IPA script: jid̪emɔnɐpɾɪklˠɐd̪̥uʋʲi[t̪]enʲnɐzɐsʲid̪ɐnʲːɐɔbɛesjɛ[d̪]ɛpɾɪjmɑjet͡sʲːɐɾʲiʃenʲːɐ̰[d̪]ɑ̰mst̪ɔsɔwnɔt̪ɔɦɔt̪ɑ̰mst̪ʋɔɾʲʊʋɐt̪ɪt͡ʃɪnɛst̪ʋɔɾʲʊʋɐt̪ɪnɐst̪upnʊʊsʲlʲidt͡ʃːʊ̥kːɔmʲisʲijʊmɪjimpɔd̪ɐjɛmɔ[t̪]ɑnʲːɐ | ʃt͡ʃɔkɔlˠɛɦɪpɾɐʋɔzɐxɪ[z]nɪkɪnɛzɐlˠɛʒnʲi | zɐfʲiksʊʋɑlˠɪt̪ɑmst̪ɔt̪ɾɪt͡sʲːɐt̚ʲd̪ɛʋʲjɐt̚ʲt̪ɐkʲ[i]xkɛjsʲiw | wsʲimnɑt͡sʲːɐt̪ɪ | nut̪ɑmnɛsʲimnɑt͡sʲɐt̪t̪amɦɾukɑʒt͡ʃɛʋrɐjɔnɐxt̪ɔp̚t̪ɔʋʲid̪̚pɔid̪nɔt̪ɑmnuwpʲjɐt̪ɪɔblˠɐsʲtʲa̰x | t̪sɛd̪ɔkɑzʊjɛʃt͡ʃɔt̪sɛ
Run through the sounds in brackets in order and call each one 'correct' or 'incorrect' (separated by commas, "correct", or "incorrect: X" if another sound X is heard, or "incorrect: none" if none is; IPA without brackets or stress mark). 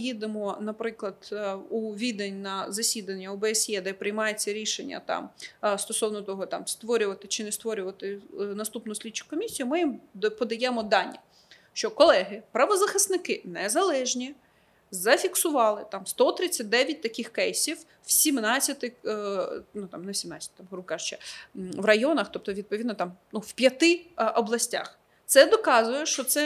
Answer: incorrect: d̪, correct, incorrect: t̪, incorrect: d̪, incorrect: s, incorrect: ɪ